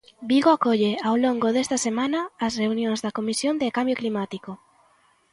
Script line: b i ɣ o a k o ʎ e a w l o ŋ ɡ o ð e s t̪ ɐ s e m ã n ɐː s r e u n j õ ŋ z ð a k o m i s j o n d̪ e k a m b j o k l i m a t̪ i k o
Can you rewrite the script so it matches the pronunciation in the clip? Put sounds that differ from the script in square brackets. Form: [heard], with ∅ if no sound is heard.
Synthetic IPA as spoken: b i ɣ o a k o ʎ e a w l o ŋ ɡ o ð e s t̪ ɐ s e m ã n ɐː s r e u n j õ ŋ z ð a k o m i s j o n d̪ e k a m b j o k l i m a t̪ i k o